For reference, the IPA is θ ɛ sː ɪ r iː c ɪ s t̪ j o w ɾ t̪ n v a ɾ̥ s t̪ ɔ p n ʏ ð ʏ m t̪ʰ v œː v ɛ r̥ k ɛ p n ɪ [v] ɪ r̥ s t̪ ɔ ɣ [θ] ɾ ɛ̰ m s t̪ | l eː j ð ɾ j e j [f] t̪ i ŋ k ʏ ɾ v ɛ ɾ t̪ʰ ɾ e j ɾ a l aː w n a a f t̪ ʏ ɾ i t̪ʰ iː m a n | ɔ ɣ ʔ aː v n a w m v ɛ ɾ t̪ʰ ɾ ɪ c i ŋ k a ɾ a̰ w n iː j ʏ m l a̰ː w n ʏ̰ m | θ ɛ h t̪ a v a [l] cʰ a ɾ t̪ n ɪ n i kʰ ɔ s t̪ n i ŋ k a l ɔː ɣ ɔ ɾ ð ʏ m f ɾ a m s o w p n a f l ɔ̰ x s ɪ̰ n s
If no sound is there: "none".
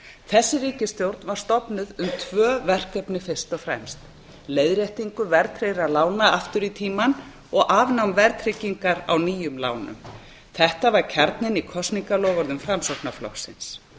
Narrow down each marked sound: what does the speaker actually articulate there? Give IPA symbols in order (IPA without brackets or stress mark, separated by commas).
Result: f, f, h, ɾ